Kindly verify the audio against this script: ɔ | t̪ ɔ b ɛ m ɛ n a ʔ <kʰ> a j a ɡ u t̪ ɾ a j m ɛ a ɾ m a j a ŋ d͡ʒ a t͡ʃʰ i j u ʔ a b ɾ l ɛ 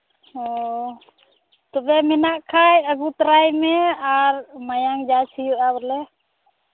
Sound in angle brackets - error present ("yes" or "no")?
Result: no